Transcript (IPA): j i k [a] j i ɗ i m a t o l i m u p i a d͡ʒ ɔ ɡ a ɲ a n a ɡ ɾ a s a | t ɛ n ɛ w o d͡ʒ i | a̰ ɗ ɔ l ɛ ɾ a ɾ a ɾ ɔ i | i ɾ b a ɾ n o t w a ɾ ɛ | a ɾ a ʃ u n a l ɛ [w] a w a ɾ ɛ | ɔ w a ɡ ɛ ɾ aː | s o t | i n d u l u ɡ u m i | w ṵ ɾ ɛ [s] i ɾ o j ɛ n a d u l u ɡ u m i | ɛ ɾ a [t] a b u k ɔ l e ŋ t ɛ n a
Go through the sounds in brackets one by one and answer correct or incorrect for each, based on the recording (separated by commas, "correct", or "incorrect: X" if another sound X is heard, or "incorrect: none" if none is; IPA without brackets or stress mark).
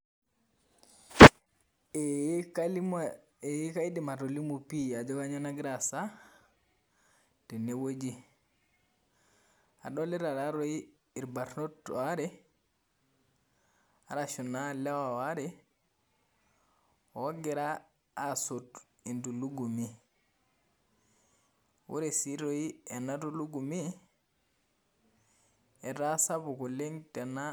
correct, correct, correct, incorrect: s